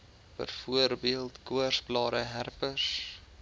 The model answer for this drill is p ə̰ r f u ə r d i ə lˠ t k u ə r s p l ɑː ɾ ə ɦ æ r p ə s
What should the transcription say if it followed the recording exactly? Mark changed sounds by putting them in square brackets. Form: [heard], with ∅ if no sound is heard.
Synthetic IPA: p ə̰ r f u ə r [b] i ə lˠ t k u ə r s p l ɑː ɾ ə ɦ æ r p ə s